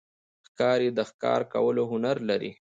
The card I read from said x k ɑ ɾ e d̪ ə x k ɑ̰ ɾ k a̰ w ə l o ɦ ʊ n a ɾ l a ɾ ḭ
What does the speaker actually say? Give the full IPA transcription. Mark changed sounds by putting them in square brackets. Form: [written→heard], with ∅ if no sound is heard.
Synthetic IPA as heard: x k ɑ ɾ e d̪ ə x k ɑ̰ ɾ k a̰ w ə l o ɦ ʊ n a ɾ l a ɾ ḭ